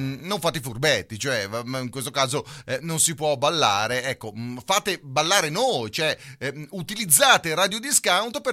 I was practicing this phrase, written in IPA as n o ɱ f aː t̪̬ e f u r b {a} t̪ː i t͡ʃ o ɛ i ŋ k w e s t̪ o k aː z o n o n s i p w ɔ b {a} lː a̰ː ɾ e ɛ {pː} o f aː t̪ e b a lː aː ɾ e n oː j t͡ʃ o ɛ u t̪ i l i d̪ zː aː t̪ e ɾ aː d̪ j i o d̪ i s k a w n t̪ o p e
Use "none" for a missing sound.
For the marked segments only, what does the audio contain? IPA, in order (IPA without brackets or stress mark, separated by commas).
ɛ, a, kː